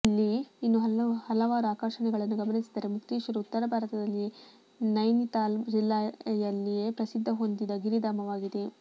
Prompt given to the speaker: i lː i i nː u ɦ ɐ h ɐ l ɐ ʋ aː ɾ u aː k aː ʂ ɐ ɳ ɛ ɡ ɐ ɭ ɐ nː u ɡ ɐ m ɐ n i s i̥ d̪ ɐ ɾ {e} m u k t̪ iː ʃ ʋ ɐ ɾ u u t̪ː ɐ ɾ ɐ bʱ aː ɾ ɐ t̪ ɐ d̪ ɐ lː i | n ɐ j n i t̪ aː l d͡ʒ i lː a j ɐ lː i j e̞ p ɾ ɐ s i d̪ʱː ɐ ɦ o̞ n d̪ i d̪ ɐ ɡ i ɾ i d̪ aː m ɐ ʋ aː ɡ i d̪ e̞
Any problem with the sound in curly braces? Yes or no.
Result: no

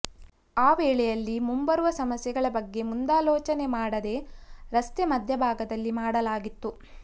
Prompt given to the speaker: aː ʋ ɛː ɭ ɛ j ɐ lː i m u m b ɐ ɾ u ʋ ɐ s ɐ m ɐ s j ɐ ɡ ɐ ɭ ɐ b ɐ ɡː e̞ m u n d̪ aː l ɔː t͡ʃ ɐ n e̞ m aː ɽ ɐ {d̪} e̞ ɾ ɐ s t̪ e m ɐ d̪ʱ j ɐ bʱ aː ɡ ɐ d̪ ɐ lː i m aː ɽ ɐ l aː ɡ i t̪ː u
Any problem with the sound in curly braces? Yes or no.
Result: no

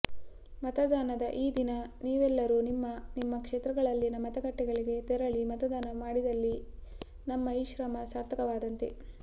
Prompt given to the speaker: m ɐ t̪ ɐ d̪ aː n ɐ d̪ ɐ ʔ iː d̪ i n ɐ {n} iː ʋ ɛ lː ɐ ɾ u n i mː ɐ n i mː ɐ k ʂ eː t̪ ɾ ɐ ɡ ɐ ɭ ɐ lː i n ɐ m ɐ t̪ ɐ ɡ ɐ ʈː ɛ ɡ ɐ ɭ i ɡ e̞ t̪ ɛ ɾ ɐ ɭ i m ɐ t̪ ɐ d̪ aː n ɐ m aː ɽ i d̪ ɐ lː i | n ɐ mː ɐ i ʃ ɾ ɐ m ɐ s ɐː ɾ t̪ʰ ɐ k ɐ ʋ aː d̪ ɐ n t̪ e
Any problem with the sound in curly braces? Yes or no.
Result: no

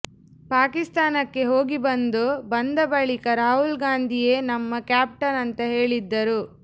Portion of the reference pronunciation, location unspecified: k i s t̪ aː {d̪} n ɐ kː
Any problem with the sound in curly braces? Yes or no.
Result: yes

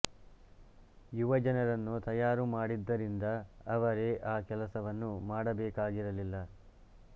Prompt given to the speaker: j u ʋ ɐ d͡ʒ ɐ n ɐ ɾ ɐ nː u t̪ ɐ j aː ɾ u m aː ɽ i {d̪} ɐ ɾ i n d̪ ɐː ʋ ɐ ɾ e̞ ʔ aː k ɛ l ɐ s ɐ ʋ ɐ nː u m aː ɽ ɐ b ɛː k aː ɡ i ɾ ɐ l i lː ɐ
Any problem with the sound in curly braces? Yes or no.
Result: yes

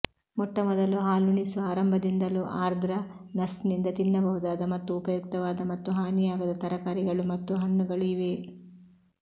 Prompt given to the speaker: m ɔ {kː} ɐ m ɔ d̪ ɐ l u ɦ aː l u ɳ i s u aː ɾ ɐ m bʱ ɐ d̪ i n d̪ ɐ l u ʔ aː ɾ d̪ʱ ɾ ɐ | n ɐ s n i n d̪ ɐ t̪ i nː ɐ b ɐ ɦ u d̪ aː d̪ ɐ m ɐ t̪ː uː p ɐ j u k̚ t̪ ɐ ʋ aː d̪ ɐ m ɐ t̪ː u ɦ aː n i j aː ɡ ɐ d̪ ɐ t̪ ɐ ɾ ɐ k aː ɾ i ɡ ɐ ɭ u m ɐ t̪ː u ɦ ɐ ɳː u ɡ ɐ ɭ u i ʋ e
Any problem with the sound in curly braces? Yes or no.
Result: yes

